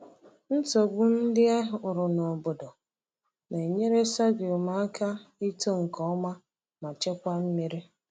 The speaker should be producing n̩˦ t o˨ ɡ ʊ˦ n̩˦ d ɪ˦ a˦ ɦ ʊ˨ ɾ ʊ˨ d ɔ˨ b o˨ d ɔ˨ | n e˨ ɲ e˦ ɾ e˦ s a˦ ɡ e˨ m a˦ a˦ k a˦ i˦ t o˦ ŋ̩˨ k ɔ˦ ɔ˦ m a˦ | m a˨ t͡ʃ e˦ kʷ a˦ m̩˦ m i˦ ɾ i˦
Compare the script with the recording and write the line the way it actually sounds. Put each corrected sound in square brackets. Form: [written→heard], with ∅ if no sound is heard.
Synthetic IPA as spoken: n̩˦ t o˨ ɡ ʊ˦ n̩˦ d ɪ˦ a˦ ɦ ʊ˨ ɾ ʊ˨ [d→n] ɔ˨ b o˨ d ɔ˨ | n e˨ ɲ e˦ ɾ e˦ s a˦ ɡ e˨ m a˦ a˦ k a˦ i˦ t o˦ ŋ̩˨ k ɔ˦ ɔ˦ m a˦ | m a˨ t͡ʃ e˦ kʷ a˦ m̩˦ m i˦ ɾ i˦